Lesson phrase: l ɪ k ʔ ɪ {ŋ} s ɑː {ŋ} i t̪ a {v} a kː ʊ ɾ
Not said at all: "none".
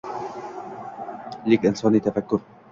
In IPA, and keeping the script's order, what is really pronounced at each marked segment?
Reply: n, n, f

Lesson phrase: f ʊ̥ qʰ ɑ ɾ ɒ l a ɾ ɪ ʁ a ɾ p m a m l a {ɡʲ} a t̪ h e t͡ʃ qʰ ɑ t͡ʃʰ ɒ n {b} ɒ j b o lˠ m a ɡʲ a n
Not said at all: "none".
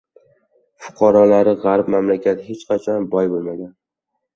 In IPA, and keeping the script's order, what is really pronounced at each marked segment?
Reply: kʲ, b

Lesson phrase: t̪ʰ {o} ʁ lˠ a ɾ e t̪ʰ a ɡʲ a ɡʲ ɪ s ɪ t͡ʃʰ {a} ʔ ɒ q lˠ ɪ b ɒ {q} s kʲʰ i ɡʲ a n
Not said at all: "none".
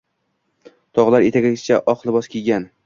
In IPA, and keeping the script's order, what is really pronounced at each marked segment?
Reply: ɒ, a, none

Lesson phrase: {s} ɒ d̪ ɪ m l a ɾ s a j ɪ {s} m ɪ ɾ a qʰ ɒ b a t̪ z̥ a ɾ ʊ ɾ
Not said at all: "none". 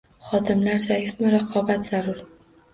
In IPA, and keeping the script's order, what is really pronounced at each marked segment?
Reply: χ, f

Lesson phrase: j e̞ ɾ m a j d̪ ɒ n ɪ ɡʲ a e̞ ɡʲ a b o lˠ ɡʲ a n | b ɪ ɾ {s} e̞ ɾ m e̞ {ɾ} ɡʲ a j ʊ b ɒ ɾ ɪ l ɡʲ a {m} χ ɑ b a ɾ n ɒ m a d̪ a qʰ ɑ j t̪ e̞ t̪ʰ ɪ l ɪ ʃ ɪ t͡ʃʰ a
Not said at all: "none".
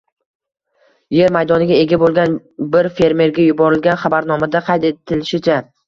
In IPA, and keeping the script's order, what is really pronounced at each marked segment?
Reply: f, ɾ, n

